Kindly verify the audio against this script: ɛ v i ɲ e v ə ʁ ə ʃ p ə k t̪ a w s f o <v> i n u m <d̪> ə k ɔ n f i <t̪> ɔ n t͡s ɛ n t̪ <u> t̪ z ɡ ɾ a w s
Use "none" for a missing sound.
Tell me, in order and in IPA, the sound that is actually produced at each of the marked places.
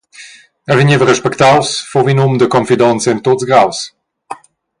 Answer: v, d̪, d̪, o

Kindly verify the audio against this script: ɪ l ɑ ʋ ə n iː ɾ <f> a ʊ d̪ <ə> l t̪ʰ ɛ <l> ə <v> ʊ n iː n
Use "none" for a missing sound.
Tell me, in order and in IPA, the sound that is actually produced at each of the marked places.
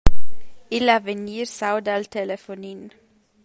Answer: s, ɑ, l, f

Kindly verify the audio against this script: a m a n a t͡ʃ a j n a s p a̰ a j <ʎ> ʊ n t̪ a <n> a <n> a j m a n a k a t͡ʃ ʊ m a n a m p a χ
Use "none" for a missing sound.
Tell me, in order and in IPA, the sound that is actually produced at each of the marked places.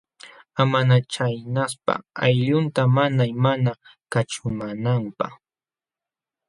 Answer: ʎ, m, n

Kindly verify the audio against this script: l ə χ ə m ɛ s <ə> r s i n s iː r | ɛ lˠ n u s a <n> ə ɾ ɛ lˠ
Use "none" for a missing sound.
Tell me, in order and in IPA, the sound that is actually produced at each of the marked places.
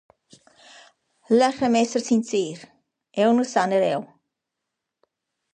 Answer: ə, n

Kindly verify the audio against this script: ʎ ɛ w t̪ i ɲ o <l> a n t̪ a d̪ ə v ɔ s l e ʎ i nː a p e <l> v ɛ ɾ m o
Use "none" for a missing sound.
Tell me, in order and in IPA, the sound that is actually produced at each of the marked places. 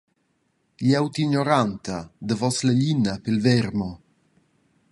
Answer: ɾ, l

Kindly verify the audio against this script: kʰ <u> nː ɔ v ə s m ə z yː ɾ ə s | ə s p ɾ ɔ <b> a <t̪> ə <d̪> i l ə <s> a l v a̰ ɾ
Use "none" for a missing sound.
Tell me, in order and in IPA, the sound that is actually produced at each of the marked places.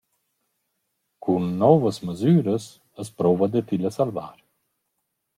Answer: u, v, d̪, t̪, s

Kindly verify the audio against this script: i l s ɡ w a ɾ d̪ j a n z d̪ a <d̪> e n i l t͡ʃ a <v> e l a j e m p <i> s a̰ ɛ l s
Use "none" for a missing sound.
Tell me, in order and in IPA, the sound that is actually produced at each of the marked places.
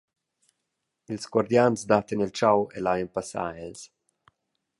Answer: t̪, w, a

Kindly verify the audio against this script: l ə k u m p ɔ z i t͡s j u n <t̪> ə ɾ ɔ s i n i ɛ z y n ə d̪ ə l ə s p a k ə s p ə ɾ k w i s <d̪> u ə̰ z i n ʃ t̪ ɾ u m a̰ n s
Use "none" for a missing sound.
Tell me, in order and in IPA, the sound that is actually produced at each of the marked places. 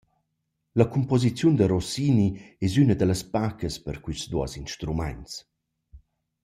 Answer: d̪, d̪

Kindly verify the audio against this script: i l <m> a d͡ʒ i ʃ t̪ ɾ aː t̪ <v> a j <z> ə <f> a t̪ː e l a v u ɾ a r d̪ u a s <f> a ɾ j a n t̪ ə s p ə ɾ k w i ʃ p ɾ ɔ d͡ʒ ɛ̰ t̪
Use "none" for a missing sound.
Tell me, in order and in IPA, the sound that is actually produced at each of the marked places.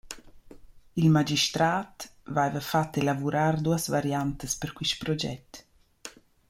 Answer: m, v, v, f, v

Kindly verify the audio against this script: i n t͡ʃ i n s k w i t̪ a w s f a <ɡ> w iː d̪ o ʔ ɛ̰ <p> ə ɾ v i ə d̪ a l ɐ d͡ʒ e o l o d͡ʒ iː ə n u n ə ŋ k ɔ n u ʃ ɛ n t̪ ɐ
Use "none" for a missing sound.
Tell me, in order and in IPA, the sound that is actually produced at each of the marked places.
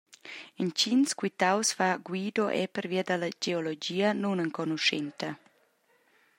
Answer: ɡ, p

